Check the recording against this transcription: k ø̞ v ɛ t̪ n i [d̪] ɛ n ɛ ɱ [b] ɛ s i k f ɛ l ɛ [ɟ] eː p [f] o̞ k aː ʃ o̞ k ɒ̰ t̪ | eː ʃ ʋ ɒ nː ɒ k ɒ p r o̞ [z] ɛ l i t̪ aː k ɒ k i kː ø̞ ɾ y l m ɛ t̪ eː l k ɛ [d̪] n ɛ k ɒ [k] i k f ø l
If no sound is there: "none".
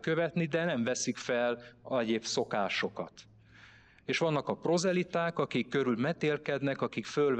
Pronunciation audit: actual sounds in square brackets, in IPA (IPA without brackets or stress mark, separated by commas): d̪, v, ɟ, s, z, d̪, k